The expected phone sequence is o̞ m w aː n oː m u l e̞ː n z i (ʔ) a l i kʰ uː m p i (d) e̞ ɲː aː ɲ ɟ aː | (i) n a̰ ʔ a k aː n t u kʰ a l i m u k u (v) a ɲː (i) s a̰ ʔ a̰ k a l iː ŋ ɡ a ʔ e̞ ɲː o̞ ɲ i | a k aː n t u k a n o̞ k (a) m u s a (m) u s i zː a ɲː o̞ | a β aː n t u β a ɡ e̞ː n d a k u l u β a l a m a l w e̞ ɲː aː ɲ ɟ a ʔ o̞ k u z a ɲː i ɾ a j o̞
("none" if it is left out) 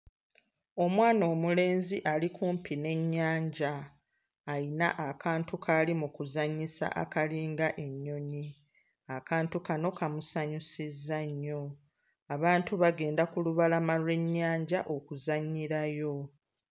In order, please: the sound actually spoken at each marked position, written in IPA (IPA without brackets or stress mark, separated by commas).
ʔ, n, i, z, i, a, ɲ